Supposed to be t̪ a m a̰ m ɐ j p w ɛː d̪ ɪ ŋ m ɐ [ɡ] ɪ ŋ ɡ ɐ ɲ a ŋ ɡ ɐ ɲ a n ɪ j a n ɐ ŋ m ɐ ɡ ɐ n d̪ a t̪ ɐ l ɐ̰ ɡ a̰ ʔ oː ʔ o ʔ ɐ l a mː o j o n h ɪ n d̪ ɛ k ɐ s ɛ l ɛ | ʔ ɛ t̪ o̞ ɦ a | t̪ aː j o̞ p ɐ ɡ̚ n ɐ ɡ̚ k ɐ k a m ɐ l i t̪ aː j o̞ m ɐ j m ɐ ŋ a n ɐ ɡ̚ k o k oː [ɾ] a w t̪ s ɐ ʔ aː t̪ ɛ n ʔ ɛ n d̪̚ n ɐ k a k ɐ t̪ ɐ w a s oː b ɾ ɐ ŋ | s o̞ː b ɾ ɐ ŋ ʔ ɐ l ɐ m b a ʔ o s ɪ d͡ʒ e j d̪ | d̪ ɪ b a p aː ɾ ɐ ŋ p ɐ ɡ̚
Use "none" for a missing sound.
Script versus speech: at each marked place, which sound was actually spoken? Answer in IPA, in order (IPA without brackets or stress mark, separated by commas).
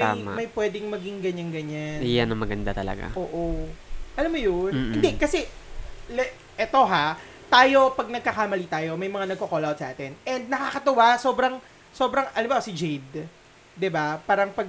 ɡ, l